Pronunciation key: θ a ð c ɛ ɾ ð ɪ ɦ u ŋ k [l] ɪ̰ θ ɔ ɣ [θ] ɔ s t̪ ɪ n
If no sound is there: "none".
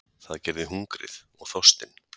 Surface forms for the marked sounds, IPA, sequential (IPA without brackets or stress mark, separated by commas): ɾ, θ